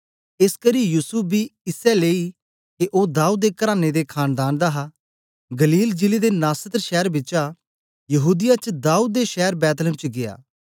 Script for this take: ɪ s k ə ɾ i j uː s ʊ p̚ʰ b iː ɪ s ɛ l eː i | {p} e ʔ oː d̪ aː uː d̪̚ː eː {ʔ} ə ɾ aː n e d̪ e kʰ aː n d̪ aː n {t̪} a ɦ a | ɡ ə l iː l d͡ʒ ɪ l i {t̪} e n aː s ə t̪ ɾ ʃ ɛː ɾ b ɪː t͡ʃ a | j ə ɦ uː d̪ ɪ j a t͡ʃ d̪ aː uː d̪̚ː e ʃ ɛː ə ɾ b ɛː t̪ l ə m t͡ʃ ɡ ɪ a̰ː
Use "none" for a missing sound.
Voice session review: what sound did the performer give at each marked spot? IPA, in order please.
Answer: k, k, d̪, d̪

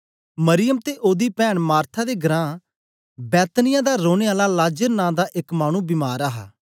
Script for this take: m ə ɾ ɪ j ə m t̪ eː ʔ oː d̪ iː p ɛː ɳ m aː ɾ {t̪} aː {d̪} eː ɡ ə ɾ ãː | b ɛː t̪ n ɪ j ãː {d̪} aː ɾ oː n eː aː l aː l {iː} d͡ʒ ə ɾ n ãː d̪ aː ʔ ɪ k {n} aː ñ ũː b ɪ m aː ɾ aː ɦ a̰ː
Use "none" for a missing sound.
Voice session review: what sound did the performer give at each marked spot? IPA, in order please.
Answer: t̪ʰ, d̪, d̪, aː, m

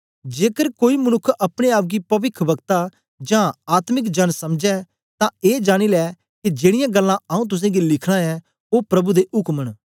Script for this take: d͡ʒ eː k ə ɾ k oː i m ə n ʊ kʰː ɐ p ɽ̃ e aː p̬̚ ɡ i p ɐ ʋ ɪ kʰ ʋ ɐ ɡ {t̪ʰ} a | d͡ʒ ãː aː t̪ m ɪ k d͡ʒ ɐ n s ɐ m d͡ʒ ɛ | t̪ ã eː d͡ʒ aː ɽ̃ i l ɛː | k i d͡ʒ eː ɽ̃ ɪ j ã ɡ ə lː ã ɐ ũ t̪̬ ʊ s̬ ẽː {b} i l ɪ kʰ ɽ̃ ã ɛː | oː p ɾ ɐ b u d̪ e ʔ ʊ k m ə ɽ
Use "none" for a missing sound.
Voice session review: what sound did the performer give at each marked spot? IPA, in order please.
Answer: t̪, ɡ

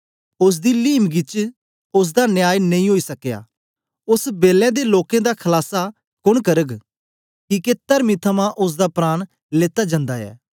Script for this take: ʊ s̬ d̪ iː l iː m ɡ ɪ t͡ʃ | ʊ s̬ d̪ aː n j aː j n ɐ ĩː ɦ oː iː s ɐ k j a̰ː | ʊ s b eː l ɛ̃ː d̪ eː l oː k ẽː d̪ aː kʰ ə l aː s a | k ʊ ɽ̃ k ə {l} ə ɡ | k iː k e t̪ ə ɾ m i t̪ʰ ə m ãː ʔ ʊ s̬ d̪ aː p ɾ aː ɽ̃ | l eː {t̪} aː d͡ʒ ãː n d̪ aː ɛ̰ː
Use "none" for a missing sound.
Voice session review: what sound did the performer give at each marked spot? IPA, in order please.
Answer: ɾ, t̪

